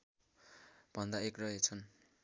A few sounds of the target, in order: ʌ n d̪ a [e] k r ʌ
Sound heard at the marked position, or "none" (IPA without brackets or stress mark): e